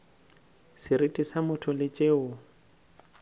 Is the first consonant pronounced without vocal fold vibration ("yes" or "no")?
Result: yes